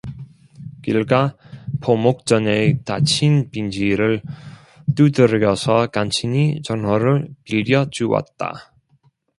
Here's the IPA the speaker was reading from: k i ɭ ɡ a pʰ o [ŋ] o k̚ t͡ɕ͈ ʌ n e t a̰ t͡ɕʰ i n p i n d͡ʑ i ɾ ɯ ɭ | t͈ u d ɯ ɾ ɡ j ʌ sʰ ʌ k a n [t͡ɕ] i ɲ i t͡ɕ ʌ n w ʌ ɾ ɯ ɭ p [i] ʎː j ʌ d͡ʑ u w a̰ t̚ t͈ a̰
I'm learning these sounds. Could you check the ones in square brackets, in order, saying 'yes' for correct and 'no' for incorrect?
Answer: no, no, yes

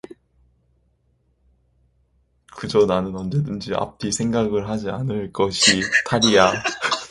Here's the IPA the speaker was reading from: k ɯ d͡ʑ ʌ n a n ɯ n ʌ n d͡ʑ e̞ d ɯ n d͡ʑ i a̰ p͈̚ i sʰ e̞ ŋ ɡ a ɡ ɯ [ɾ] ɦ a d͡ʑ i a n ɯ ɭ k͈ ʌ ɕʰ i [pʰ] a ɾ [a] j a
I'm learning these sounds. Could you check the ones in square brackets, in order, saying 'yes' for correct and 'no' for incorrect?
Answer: no, no, no

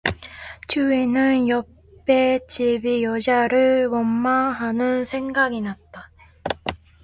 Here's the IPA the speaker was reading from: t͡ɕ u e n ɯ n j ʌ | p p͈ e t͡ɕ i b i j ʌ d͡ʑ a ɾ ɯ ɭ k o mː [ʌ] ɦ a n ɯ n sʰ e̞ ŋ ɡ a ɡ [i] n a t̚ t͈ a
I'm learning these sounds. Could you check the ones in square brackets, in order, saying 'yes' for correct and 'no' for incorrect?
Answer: no, yes

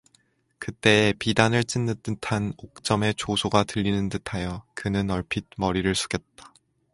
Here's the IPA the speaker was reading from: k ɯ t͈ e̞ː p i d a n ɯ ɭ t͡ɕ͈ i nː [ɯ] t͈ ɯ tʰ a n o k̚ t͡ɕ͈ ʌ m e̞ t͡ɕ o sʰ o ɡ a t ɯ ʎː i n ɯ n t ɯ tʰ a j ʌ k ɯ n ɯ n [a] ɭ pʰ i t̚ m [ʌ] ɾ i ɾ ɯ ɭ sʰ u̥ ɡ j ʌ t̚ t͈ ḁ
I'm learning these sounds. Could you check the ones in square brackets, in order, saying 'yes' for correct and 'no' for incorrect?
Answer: yes, no, yes

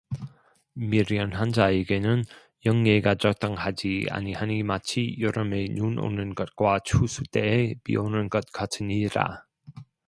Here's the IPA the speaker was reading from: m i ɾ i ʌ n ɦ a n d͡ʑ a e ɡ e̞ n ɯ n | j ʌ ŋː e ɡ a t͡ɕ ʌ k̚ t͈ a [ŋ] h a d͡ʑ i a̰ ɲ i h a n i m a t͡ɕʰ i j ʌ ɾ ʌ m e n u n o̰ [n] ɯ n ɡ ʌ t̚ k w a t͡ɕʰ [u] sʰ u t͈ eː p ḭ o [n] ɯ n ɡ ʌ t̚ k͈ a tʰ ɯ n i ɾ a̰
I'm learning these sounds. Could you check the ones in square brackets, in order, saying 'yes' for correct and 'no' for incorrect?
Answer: yes, yes, yes, yes

